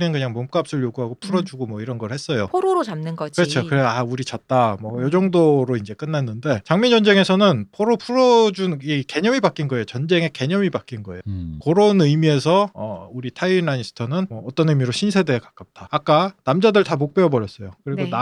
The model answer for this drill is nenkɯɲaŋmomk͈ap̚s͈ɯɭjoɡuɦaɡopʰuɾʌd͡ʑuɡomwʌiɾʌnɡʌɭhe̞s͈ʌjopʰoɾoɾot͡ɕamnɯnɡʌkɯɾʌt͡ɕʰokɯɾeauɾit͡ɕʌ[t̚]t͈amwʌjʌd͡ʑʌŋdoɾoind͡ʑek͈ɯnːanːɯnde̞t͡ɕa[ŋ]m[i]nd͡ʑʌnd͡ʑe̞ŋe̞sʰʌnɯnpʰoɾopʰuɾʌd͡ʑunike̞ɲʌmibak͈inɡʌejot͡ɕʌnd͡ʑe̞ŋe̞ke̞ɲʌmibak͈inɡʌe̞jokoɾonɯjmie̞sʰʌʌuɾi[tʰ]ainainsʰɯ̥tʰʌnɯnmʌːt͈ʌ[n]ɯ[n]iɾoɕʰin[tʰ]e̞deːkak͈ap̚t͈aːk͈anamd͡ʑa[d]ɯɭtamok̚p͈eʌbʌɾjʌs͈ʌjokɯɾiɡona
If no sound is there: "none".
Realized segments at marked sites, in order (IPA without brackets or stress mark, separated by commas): t̚, ŋ, i, tʰ, n, m, sʰ, d